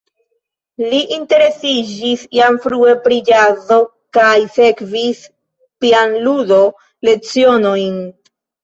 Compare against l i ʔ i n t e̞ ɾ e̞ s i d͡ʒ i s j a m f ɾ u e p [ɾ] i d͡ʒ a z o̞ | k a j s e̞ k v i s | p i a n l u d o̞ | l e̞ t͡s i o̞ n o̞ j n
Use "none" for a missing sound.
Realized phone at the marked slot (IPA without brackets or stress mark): ɾ